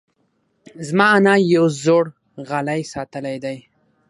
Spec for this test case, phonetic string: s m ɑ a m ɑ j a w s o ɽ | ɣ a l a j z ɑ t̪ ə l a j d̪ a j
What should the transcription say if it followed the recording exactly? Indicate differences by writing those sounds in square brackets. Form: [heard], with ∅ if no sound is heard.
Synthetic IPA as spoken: [z] m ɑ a [n] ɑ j a w [z] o ɽ | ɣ a l a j [s] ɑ t̪ ə l a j d̪ a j